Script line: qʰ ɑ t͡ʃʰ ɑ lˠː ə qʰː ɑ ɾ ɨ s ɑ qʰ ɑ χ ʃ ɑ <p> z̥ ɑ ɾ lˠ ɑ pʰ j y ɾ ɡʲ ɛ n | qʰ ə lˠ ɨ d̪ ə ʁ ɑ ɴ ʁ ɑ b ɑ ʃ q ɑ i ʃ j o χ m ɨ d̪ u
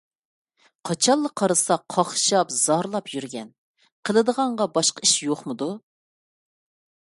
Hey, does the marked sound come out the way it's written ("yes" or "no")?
yes